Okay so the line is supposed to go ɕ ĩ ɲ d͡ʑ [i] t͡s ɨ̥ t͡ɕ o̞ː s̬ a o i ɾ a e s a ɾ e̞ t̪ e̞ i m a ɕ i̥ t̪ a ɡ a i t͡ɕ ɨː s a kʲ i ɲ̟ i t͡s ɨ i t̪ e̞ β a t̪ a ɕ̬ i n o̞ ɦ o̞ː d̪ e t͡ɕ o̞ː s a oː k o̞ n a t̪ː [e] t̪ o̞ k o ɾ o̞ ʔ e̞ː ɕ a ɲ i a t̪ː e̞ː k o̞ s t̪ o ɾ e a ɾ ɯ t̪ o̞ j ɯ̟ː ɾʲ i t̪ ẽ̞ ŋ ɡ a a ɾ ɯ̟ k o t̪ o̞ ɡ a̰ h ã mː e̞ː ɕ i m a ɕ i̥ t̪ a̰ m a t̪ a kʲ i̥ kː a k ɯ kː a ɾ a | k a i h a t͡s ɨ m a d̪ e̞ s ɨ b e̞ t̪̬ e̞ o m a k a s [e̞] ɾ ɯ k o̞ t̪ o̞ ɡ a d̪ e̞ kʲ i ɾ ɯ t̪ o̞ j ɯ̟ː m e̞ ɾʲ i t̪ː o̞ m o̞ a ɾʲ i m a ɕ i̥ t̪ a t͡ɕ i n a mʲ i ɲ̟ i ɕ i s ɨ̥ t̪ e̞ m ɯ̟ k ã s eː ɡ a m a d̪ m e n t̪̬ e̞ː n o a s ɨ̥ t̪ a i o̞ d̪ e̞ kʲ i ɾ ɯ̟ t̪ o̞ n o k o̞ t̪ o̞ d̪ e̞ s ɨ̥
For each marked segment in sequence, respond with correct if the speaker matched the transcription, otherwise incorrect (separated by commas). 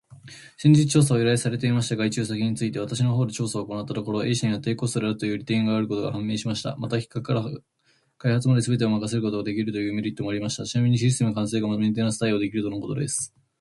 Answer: correct, incorrect, correct